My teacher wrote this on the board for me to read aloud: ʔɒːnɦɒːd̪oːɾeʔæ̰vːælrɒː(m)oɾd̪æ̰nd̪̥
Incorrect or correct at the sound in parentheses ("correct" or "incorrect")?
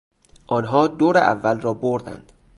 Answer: incorrect